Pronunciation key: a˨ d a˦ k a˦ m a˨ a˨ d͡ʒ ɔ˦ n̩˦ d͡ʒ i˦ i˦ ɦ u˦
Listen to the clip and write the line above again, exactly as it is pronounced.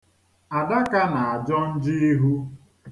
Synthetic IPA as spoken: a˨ d a˦ k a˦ n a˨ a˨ d͡ʒ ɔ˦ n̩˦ d͡ʒ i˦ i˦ ɦ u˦